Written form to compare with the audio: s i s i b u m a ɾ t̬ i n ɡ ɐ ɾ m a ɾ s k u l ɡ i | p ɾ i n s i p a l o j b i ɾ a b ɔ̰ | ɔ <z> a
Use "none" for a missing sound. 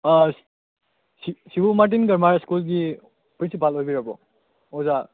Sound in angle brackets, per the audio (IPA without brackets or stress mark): z